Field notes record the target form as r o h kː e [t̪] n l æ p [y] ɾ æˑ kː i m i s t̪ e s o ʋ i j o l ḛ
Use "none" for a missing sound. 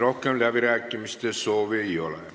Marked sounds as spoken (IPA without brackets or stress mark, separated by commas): none, i